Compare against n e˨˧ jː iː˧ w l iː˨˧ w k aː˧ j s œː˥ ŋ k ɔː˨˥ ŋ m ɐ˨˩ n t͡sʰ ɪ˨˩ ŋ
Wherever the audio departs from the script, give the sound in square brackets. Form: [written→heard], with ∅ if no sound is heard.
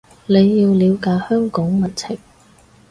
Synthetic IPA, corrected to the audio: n e˨˧ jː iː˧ w l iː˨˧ w k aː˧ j [s→h] œː˥ ŋ k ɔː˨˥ ŋ m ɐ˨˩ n t͡sʰ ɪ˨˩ ŋ